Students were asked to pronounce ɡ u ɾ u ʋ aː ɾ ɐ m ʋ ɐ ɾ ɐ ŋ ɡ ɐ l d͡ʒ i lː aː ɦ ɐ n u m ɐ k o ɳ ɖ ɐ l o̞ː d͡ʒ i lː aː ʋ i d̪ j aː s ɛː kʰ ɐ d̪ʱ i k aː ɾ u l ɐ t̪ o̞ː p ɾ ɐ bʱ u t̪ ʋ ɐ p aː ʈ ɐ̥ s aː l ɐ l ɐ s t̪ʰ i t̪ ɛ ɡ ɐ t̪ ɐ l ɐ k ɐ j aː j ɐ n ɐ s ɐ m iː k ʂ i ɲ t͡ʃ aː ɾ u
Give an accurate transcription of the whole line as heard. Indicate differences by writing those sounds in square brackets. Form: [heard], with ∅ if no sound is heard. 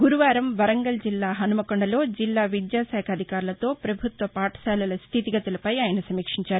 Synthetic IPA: ɡ u ɾ u ʋ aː ɾ ɐ m ʋ ɐ ɾ ɐ ŋ ɡ ɐ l d͡ʒ i lː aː ɦ ɐ n u m ɐ k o ɳ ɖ ɐ l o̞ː d͡ʒ i lː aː ʋ i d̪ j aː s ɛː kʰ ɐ d̪ʱ i k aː ɾ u l ɐ t̪ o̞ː p ɾ ɐ bʱ u t̪ ʋ ɐ p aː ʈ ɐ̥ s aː l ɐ l ɐ s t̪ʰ i t̪ [i] ɡ ɐ t̪ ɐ l ɐ [p] ɐ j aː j ɐ n ɐ s ɐ m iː k ʂ i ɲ t͡ʃ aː ɾ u